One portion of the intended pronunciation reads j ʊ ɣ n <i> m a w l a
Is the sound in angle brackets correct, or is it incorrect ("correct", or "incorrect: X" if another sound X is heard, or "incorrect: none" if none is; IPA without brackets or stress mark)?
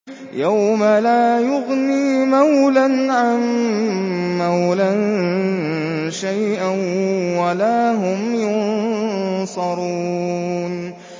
incorrect: iː